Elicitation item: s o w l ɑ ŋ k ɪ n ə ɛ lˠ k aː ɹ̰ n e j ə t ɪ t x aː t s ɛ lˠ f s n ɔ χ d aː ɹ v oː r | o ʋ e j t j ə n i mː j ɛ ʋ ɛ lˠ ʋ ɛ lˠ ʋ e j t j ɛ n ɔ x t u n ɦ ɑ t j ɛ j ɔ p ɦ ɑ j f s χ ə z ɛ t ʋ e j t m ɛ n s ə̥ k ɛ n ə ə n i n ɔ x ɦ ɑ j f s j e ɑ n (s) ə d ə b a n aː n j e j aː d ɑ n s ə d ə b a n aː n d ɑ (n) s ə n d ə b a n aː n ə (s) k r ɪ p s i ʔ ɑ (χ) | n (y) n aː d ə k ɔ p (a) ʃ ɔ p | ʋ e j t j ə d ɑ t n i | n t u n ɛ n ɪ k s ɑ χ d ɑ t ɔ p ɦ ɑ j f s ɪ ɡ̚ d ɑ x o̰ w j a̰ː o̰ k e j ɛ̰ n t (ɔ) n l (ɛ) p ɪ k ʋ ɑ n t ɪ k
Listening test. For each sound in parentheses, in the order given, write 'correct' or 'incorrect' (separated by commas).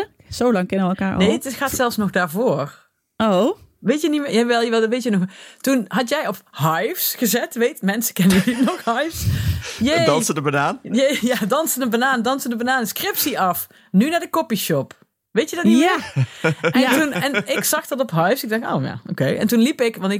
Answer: correct, correct, correct, incorrect, correct, incorrect, incorrect, incorrect